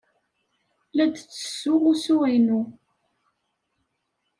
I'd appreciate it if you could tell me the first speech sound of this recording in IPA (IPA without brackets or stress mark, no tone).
l